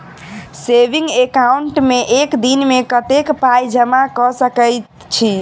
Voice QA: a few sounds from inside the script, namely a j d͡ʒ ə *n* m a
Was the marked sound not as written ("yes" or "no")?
yes